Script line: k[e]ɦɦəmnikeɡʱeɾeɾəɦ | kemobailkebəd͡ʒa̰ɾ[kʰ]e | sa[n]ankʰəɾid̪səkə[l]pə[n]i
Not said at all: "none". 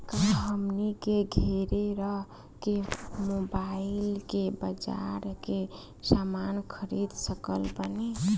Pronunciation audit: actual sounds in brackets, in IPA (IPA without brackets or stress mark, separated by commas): a, k, m, l, n